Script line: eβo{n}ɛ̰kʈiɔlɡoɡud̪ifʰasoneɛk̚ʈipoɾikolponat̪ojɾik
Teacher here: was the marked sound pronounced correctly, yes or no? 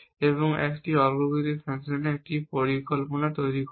no